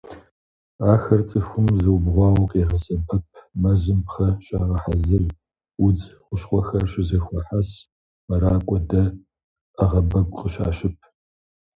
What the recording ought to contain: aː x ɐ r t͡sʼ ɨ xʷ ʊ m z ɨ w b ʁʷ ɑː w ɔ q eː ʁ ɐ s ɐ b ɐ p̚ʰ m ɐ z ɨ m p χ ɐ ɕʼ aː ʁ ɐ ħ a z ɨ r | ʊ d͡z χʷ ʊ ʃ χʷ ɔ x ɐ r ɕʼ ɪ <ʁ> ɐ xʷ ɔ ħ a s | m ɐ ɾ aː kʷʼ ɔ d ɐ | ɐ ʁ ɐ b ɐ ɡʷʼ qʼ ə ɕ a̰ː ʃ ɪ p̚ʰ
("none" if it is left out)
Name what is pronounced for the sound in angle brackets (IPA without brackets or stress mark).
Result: z